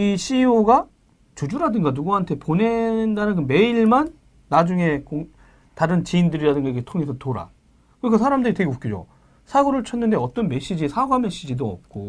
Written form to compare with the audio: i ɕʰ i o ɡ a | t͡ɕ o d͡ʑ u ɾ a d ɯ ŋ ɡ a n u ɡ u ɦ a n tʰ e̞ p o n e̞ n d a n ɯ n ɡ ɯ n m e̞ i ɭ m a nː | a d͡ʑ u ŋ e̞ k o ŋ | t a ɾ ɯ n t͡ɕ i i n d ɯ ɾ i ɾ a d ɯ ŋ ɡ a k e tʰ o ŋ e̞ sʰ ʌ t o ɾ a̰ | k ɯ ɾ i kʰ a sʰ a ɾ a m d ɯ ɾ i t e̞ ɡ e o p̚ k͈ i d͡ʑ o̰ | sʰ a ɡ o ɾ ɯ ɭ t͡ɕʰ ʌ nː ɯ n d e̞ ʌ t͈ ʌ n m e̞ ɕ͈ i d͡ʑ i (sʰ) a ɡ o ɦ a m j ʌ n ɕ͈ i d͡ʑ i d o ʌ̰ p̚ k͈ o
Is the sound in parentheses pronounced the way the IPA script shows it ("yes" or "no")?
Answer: yes